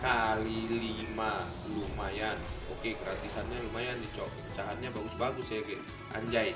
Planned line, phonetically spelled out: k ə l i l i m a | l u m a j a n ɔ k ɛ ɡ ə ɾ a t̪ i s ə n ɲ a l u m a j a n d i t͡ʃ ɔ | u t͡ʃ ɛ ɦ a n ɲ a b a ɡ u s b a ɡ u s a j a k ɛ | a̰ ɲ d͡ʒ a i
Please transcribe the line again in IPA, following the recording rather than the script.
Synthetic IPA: k a l i l i m a | l u m a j a n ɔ k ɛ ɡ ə ɾ a t̪ i s a n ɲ a l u m a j a n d i t͡ʃ ɔ | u t͡ʃ a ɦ a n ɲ a b a ɡ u s b a ɡ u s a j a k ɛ | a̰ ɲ d͡ʒ a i